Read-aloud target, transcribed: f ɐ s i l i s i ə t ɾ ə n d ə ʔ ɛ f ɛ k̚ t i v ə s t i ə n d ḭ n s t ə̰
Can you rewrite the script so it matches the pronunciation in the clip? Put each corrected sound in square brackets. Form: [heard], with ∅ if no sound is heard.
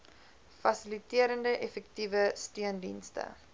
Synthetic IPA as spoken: f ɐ s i l i [t] i ə [∅] ɾ ə n d ə ʔ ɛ f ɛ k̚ t i v ə s t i ə n d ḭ n s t ə̰